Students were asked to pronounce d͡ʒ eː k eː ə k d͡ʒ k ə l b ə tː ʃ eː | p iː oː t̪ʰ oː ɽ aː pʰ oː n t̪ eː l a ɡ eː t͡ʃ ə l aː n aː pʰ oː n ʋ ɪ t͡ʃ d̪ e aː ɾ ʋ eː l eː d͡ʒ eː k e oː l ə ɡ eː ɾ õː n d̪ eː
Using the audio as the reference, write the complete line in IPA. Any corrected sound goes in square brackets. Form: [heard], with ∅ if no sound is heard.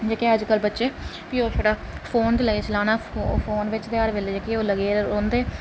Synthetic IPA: d͡ʒ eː k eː ə [∅] d͡ʒ k ə l b ə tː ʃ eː | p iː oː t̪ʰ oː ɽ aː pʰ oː n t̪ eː l [ə] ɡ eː t͡ʃ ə l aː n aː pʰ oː n ʋ ɪ t͡ʃ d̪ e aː ɾ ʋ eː l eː d͡ʒ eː k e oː l ə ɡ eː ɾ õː n d̪ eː

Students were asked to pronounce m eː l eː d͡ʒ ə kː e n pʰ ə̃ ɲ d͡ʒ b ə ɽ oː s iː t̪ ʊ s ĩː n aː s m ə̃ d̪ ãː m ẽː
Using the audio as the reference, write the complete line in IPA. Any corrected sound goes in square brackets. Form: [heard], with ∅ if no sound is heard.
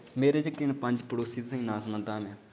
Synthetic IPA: m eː [ɾ] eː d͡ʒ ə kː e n [p] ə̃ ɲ d͡ʒ [p] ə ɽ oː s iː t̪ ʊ s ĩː n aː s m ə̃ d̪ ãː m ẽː

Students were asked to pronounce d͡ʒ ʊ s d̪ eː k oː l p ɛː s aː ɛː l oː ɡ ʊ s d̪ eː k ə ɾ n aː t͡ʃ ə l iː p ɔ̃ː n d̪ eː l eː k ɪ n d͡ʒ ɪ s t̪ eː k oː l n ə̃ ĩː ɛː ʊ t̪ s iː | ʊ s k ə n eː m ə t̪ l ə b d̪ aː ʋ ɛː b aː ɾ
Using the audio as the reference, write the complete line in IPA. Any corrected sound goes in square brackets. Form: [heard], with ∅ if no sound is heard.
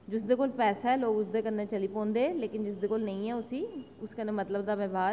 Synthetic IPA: d͡ʒ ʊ s d̪ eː k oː l p ɛː s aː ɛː l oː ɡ ʊ s d̪ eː k ə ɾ n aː t͡ʃ ə l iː p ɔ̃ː n d̪ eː l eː k ɪ n d͡ʒ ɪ s [d̪] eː k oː l n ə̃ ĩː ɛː ʊ [∅] s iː | ʊ s k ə n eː m ə t̪ l ə b d̪ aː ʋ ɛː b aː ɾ

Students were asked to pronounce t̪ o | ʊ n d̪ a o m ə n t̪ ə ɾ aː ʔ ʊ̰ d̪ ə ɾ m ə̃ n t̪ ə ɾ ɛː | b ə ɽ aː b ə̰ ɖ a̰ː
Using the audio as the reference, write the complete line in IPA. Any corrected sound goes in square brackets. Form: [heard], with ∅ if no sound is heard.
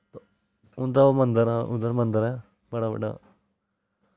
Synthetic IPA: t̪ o | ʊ n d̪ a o m ə n [d̪] ə ɾ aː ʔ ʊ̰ d̪ ə ɾ m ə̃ n [d̪] ə ɾ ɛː | b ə ɽ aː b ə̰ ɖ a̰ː

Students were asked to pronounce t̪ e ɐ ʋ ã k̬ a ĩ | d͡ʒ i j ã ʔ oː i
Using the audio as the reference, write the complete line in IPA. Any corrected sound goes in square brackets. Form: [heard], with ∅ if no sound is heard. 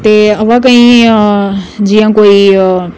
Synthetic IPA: t̪ e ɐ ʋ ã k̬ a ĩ | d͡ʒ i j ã [k] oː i

